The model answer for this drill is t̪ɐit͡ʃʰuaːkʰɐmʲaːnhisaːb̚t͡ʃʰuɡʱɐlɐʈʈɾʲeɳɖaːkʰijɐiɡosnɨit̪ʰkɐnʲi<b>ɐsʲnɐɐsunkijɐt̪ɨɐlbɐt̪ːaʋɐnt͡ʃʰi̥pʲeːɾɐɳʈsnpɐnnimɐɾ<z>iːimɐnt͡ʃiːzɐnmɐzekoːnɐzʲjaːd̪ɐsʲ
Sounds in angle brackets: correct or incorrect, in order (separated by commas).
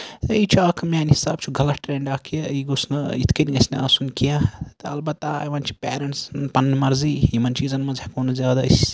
incorrect, correct